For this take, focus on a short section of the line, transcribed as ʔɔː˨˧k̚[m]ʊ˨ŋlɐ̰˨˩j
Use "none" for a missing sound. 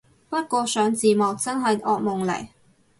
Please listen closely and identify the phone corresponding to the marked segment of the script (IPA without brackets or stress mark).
m